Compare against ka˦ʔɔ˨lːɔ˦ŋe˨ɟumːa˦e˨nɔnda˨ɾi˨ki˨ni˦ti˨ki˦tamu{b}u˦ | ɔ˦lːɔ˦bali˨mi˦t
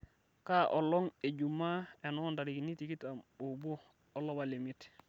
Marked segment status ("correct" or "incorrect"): correct